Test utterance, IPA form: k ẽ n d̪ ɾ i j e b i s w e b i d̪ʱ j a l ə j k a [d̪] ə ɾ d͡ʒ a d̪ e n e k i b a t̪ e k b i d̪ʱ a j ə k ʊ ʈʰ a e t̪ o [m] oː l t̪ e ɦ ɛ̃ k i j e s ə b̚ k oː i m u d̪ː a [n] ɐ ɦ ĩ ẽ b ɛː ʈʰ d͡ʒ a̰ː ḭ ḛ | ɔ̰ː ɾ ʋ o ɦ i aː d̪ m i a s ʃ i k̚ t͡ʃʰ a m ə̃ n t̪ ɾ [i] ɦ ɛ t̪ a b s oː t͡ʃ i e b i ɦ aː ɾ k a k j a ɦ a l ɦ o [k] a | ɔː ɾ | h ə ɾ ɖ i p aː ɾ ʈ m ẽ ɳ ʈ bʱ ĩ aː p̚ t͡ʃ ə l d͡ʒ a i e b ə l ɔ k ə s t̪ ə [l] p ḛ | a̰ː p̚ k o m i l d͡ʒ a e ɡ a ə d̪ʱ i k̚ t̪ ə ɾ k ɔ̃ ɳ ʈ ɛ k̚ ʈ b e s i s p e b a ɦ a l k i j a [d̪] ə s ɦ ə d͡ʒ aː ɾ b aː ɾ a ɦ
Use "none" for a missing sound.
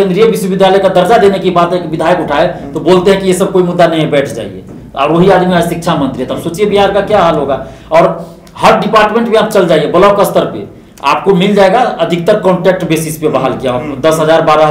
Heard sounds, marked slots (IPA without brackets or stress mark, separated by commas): d̪, b, n, i, ɡ, ɾ, d̪